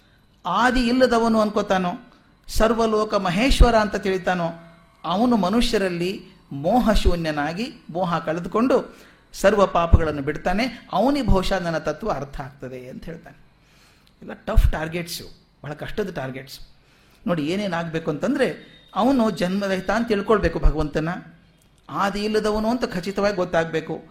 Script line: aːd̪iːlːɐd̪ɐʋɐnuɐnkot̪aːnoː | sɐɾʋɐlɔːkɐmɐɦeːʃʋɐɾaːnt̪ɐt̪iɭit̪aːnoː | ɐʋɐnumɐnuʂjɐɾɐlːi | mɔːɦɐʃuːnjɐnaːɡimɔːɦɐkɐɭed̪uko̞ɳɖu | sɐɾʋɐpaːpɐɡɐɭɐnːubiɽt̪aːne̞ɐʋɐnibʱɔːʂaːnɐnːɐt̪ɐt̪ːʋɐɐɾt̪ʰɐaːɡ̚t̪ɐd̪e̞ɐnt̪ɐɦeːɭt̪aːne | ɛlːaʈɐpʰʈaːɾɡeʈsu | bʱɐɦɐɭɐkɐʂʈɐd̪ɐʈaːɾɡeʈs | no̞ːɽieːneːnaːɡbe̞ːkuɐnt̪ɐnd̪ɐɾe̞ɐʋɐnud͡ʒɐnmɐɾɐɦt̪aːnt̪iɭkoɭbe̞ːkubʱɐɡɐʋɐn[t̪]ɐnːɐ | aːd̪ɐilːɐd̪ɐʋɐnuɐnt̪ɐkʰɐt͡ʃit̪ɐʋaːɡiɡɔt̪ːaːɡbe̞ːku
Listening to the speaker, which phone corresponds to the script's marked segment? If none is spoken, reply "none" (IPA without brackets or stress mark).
t̪